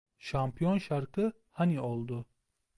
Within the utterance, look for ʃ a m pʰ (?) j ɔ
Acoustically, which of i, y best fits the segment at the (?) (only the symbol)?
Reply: i